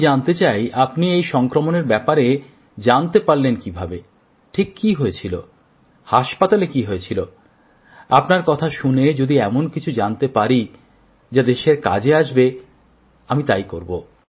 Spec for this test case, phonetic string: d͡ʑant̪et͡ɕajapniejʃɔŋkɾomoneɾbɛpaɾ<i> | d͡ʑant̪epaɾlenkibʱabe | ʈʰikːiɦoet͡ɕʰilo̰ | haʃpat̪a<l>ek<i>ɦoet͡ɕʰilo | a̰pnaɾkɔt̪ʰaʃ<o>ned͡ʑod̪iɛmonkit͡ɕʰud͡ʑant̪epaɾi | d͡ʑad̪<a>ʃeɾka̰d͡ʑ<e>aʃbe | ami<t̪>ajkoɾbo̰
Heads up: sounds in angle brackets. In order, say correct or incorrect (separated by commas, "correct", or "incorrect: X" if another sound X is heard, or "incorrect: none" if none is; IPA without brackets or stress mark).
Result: incorrect: e, correct, correct, incorrect: u, incorrect: e, correct, correct